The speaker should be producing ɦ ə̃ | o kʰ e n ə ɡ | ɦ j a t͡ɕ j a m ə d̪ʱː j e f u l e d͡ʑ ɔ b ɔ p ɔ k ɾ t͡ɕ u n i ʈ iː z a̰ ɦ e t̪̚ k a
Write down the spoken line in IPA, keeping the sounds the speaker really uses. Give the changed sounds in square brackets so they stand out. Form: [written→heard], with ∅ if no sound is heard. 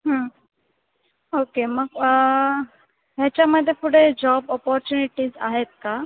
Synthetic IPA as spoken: ɦ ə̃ | o [kʰ→k] e [n→m] ə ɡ | ɦ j a t͡ɕ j a m ə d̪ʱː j e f u [l→ɽ] e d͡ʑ ɔ b ɔ p ɔ [k→∅] ɾ t͡ɕ u n i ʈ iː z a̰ ɦ e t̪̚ k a